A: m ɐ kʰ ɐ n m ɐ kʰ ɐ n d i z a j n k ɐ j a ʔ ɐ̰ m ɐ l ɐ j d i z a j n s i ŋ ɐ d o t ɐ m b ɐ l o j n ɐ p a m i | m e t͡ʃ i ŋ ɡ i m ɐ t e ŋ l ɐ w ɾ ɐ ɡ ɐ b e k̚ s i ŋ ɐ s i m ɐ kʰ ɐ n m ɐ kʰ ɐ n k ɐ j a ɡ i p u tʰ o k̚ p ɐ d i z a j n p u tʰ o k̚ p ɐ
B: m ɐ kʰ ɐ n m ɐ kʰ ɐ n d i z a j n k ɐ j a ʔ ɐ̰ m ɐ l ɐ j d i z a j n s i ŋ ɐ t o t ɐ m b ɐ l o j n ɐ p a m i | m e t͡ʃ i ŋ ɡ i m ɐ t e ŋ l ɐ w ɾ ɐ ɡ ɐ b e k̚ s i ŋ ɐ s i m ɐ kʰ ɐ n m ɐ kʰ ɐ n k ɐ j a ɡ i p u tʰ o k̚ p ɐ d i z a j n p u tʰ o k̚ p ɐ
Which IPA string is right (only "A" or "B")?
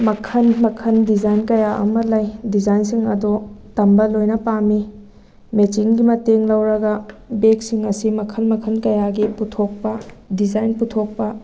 A